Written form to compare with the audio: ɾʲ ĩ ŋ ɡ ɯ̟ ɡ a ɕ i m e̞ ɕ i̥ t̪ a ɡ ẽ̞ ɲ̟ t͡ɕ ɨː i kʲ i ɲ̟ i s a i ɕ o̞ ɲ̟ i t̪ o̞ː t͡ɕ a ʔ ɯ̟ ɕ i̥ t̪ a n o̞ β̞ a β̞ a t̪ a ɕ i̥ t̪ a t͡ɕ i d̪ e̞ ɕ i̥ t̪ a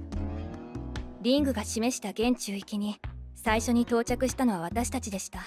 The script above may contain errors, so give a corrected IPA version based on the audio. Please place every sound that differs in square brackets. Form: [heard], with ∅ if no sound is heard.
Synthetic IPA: ɾʲ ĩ ŋ ɡ ɯ̟ ɡ a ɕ i m e̞ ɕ i̥ t̪ a ɡ ẽ̞ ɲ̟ t͡ɕ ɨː i kʲ i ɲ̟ i s a i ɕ o̞ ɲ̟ i t̪ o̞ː t͡ɕ a [k] ɯ̟ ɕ i̥ t̪ a n o̞ β̞ a β̞ a t̪ a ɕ i̥ t̪ a t͡ɕ i d̪ e̞ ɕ i̥ t̪ a